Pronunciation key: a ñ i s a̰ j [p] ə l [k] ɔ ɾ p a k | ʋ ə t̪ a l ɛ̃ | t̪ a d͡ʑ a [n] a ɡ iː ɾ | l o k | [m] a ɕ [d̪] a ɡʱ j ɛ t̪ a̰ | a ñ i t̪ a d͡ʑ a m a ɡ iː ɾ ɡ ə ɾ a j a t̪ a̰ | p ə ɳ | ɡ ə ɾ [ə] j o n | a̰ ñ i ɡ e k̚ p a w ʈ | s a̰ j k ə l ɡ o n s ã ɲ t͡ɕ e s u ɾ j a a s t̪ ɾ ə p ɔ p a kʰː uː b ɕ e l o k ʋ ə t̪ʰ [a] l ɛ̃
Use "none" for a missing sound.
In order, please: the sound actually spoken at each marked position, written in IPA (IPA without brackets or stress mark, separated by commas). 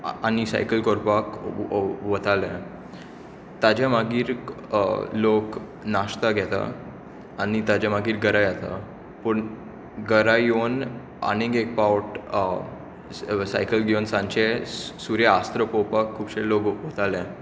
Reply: k, k, m, n, t̪, a, a